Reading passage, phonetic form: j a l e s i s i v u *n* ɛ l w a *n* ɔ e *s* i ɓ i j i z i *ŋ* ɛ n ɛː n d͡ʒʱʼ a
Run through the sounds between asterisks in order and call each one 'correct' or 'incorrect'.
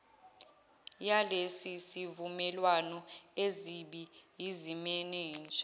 incorrect: m, correct, incorrect: z, incorrect: m

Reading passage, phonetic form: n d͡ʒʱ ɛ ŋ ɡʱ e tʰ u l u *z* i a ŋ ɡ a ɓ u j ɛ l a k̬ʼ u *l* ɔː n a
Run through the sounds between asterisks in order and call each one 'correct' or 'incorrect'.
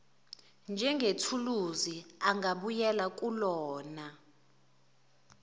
correct, correct

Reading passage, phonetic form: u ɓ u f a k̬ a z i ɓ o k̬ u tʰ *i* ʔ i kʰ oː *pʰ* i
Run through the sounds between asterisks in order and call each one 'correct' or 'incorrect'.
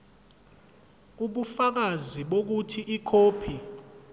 correct, correct

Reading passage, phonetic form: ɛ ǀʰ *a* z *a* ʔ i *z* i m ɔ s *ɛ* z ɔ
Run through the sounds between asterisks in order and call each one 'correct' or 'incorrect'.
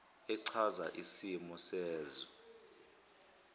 correct, correct, incorrect: s, incorrect: ɛː

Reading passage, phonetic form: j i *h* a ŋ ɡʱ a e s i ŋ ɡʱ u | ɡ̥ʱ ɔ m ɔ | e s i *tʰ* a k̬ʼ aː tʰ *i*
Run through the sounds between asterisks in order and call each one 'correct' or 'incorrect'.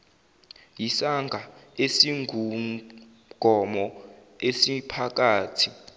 incorrect: s, incorrect: pʰ, correct

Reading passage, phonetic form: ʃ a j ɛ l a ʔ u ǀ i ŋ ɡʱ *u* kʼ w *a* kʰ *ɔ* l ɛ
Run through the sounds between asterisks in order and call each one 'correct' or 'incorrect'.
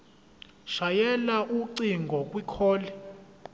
incorrect: ɔ, incorrect: i, incorrect: ɔː

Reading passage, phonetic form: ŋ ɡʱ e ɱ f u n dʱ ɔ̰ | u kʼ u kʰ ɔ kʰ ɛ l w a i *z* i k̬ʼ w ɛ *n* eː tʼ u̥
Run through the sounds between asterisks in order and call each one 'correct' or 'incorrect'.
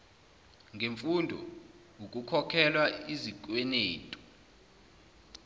correct, correct

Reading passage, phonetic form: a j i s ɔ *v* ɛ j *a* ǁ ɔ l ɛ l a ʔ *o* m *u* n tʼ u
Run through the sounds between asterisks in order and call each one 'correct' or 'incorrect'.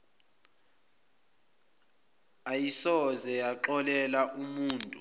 incorrect: z, correct, incorrect: u, incorrect: uː

